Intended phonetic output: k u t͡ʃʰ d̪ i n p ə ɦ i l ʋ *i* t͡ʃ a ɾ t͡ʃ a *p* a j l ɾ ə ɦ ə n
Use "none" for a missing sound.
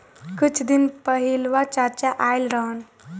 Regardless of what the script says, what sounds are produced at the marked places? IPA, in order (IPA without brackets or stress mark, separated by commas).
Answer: a, ʔ